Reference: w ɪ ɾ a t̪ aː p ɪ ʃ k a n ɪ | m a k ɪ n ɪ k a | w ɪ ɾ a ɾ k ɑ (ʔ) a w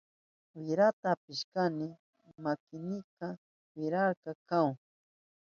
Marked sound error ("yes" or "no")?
yes